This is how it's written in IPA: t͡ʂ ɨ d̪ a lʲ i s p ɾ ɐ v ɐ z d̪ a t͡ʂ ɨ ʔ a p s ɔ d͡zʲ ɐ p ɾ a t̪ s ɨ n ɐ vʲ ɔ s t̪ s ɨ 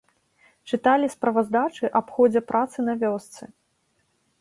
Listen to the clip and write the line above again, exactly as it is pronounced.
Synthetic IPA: t͡ʂ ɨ t̪ a lʲ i s p ɾ ɐ v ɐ z d̪ a t͡ʂ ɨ ʔ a p x ɔ d͡zʲ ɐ p ɾ a t̪ s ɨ n ɐ vʲ ɔ s t̪ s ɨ